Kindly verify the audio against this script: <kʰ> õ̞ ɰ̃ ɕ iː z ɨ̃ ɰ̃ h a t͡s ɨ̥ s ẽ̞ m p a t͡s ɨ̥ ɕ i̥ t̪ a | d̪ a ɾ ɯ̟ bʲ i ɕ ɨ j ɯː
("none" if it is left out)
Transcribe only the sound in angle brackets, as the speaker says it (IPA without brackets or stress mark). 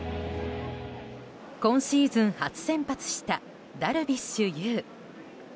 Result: k